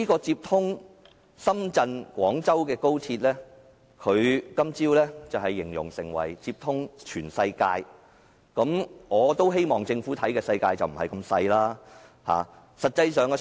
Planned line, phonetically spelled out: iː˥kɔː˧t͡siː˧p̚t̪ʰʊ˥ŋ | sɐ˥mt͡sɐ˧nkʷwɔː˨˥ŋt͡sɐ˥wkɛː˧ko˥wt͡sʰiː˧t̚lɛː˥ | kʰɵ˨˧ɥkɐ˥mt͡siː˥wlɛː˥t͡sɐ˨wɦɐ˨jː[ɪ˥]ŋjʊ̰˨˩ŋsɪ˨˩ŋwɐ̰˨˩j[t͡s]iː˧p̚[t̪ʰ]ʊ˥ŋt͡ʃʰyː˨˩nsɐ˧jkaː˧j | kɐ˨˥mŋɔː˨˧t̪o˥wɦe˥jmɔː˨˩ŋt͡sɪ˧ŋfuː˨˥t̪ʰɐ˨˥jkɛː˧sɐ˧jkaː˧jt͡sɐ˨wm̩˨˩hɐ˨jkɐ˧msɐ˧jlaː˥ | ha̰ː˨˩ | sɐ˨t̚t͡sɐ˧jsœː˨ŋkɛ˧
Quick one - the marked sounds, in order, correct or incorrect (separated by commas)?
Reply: incorrect, correct, correct